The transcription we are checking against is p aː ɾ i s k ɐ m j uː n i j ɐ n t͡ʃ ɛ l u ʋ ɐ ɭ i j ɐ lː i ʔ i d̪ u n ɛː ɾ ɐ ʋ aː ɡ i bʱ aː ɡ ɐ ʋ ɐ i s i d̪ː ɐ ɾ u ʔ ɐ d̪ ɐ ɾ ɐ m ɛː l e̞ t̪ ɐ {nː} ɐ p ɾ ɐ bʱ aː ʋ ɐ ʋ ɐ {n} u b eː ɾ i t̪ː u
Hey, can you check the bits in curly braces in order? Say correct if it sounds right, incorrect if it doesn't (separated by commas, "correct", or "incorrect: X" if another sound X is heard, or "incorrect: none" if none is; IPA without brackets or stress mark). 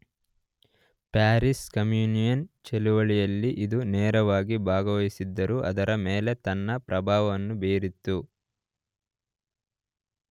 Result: correct, incorrect: nː